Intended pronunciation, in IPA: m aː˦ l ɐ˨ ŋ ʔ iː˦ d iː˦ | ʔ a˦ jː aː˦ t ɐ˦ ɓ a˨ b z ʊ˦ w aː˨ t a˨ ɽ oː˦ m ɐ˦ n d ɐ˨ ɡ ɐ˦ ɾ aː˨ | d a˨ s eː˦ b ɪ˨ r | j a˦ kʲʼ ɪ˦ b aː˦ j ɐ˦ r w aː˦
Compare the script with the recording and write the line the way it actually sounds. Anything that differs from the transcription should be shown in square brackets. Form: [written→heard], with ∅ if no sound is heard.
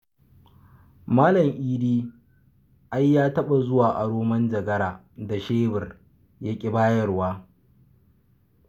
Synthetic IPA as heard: m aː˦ l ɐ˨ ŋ ʔ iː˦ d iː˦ | ʔ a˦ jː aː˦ t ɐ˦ ɓ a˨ [b→∅] z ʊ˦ w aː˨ [t→ʔ] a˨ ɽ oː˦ m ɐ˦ n [d→d͡ʒ] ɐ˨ ɡ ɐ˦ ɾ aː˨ | d a˨ [s→ʃ] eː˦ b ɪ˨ r | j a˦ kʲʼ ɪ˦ b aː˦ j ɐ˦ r w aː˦